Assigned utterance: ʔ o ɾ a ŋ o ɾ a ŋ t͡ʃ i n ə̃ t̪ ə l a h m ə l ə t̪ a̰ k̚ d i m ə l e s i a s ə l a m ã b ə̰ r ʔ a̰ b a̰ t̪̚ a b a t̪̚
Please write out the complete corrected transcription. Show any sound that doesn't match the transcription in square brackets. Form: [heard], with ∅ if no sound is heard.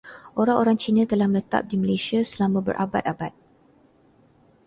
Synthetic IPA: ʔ o ɾ a ŋ o ɾ a ŋ t͡ʃ i n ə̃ t̪ ə l a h m ə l ə t̪ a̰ [p̚] d i m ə l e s i a s ə l a m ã b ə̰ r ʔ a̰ b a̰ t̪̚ a b a t̪̚